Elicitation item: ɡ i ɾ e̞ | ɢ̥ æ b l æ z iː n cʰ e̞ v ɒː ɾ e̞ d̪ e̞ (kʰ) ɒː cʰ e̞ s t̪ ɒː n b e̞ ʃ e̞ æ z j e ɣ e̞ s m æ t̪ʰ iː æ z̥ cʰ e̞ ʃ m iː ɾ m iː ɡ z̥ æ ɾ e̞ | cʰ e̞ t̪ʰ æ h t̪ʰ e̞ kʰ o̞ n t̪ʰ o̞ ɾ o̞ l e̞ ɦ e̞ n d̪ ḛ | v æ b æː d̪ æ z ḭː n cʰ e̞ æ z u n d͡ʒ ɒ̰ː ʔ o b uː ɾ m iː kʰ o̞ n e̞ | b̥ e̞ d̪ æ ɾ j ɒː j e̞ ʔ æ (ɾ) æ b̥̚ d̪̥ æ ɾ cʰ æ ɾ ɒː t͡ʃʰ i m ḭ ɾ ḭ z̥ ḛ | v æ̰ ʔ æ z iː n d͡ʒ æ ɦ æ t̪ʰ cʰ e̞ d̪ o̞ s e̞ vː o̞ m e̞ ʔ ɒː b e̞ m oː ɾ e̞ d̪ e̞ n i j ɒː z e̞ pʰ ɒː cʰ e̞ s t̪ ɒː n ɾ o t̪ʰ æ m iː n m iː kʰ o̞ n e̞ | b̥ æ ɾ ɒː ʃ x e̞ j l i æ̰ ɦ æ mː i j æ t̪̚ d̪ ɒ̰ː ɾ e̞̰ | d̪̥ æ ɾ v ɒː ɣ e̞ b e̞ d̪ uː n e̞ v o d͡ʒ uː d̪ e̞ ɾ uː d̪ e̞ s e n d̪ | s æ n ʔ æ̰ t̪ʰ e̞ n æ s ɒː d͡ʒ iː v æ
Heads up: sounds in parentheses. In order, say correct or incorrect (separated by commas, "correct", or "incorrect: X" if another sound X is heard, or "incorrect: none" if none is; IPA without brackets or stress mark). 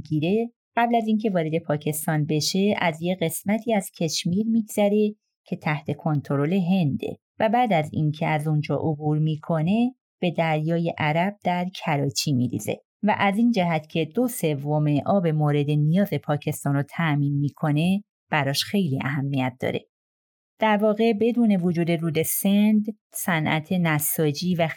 incorrect: pʰ, correct